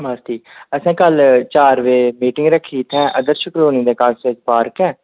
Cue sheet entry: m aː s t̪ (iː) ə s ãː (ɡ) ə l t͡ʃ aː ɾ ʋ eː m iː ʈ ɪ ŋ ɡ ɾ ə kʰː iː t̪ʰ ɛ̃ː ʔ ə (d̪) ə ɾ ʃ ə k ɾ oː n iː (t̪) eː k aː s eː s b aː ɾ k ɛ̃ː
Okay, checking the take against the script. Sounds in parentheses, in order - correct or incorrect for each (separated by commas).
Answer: correct, incorrect, correct, incorrect